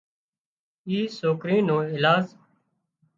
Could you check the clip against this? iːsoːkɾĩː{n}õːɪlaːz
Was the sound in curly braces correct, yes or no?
yes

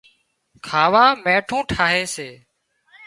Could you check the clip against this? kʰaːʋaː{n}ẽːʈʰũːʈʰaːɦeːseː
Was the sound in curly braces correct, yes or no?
no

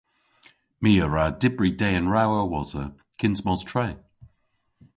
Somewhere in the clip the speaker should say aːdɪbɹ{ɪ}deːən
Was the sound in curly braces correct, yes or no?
no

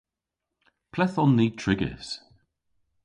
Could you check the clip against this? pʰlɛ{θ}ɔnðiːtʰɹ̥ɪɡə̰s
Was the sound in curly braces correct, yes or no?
yes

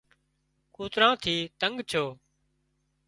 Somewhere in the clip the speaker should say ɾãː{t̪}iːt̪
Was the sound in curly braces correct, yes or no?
no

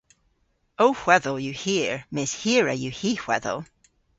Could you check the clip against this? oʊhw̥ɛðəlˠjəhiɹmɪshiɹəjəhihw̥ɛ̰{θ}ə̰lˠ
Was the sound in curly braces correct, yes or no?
no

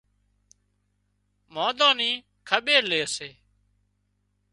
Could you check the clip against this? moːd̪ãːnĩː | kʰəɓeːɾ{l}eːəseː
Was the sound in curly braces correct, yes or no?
yes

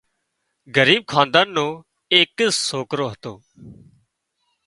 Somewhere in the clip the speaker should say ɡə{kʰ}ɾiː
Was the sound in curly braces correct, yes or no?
no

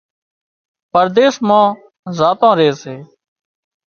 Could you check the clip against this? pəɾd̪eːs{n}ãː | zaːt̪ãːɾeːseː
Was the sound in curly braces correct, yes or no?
no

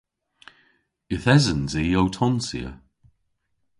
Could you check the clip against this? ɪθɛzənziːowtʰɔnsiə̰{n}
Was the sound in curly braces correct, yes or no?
no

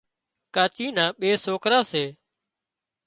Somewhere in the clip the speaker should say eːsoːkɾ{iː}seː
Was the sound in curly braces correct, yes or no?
no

